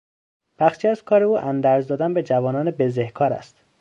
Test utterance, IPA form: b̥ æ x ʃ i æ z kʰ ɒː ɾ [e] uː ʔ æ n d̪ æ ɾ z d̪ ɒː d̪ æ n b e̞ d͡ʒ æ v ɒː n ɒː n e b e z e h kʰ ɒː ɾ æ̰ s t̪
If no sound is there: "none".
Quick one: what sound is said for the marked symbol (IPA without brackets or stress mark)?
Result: e